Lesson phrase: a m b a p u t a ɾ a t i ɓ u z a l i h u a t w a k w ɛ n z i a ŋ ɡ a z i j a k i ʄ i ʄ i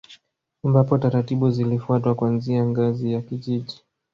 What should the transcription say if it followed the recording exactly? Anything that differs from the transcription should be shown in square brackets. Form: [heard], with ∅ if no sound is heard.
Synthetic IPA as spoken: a m b a p [ɔ] t a ɾ a t i ɓ u z [i] l i [f] u a t w a k w [a] n z i a ŋ ɡ a z i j a k i ʄ i ʄ i